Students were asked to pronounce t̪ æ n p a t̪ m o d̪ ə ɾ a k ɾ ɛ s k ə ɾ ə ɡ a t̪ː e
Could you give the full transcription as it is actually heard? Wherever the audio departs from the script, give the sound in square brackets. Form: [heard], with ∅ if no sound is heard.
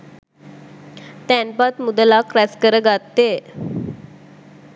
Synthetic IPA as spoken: t̪ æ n p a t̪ m [u] d̪ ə [l] a k ɾ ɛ s k ə ɾ ə ɡ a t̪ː e